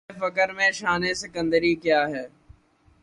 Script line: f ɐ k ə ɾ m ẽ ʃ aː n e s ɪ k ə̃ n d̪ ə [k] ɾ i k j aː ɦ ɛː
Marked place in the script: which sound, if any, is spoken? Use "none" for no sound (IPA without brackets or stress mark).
none